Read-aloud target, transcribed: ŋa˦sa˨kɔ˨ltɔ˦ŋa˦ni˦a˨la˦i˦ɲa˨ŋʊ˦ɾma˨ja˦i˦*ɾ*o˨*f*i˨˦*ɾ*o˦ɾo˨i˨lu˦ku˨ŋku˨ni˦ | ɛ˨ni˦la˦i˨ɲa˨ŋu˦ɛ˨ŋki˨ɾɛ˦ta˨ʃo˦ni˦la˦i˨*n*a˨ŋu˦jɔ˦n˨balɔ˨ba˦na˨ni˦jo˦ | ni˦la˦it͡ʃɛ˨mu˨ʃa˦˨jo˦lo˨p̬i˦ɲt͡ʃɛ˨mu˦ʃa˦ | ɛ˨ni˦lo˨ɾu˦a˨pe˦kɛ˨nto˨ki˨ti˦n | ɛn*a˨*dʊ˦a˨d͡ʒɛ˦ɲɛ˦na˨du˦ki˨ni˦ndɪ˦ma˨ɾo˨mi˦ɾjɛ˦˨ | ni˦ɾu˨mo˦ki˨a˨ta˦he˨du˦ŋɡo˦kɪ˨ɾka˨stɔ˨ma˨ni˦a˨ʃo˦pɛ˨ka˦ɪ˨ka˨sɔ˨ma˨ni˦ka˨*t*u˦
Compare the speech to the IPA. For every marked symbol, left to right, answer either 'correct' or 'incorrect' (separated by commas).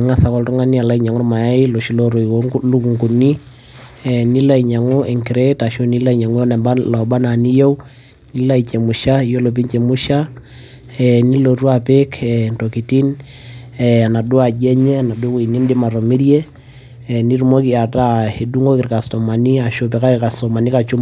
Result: incorrect, incorrect, incorrect, incorrect, correct, incorrect